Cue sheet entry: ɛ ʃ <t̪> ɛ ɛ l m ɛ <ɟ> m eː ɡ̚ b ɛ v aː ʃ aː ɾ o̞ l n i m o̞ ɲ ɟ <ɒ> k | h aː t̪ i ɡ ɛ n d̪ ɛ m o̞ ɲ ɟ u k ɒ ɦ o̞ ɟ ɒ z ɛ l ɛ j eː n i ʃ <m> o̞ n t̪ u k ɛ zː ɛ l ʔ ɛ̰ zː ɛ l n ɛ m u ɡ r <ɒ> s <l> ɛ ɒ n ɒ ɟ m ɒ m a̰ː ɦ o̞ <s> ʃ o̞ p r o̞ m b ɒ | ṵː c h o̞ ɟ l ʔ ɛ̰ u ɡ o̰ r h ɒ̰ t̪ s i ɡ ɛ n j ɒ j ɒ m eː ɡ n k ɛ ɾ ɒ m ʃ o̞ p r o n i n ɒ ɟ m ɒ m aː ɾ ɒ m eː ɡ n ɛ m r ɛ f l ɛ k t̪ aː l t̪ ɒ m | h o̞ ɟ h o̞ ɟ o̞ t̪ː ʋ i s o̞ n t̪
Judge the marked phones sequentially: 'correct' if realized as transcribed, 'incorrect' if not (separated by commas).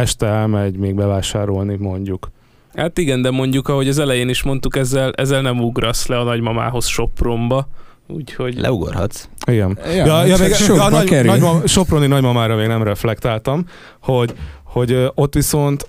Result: correct, correct, incorrect, correct, correct, correct, correct